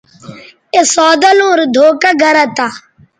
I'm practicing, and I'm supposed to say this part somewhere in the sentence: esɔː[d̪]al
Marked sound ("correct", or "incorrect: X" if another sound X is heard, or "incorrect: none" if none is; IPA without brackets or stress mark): correct